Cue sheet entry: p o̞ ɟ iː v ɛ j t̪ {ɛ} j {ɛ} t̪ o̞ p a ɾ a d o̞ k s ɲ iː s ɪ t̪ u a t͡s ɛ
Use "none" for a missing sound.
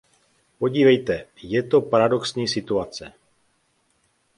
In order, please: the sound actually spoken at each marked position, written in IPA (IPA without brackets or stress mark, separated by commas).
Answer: ɛ, ɛ